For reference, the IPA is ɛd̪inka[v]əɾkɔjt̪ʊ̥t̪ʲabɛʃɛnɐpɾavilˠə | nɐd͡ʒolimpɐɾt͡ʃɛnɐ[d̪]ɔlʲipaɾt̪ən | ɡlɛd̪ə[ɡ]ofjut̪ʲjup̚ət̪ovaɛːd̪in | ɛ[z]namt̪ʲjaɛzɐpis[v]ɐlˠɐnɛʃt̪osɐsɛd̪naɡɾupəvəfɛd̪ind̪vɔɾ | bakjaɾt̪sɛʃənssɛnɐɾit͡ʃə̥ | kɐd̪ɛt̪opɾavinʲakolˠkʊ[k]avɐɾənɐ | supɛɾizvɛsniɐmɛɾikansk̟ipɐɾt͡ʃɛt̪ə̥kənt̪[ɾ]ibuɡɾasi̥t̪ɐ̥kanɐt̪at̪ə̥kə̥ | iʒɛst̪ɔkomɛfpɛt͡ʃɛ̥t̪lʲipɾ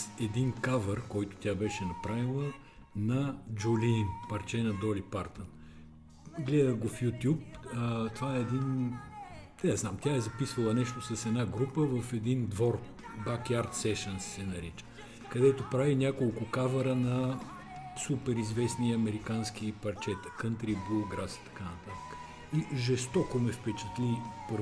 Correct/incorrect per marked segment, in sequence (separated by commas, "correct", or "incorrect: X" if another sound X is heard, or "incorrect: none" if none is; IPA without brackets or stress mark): correct, correct, correct, correct, correct, correct, correct